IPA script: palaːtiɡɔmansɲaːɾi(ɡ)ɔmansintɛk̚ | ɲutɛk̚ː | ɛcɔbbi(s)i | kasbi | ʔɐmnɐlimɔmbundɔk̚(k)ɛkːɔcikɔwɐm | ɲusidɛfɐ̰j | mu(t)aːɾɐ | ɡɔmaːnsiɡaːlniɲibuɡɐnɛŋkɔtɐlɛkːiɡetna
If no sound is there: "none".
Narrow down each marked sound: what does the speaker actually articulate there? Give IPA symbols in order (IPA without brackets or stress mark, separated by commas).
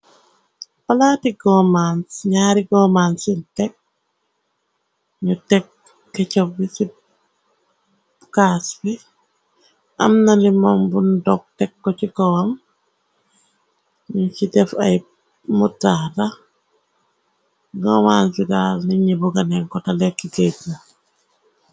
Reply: ɡ, s, t, t